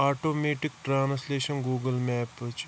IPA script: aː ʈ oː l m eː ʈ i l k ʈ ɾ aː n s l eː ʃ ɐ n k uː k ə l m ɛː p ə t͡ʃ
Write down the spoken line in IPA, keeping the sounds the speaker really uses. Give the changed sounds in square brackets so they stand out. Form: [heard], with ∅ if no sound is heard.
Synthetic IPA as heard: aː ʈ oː [∅] m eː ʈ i [∅] k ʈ ɾ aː n s l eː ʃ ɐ n [ɡ] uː [ɡ] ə l m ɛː p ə t͡ʃ

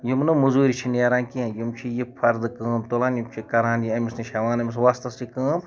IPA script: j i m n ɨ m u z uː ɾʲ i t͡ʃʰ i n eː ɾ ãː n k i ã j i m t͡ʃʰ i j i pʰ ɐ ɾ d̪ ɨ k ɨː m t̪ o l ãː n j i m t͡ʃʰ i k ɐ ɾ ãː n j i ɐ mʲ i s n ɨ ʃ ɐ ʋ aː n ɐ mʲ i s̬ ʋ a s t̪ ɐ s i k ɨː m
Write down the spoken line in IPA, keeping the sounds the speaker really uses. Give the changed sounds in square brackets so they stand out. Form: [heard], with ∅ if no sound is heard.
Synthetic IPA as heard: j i m n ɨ m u z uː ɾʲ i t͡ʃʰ i n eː ɾ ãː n k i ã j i m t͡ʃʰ i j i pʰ ɐ ɾ d̪ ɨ k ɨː m t̪ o l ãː n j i m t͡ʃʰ i k ɐ ɾ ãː n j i ɐ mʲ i s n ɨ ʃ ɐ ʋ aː n ɐ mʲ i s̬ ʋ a s t̪ ɐ s i k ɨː m

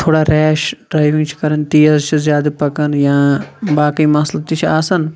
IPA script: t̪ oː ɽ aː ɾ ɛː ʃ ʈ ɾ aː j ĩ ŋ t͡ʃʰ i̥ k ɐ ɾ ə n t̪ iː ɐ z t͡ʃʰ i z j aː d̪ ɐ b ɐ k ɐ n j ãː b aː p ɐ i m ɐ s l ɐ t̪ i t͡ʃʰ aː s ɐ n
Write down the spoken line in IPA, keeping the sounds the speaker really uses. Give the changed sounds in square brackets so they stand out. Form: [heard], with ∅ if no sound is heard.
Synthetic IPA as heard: [t̪ʰ] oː ɽ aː ɾ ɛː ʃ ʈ ɾ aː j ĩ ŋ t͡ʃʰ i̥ k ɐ ɾ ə n t̪ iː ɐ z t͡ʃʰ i z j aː d̪ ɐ [p] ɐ k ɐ n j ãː b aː [k] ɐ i m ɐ s l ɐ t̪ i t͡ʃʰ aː s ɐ n

